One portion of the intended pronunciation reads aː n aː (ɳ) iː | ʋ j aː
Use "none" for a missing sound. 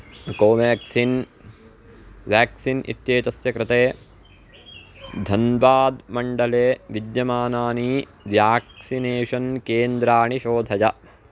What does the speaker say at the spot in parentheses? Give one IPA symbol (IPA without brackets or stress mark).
n